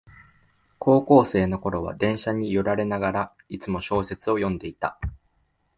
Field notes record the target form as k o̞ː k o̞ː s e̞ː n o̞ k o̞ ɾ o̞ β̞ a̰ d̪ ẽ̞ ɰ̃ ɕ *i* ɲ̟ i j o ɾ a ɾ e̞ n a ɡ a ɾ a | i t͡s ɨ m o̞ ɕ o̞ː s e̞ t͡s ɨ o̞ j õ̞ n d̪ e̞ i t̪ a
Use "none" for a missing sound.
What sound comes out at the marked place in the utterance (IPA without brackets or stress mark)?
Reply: a